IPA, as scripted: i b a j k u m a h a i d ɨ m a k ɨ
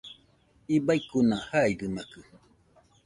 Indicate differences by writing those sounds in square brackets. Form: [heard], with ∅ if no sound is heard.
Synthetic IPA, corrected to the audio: i b a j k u [n] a h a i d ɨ m a k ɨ